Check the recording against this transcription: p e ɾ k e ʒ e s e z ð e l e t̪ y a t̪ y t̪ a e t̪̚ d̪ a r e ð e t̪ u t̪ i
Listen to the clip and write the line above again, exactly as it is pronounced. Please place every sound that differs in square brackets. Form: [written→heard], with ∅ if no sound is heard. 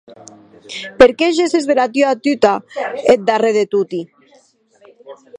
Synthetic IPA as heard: p e ɾ k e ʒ e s e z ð e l [e→a] t̪ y a t̪ y t̪ a e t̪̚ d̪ a r e ð e t̪ u t̪ i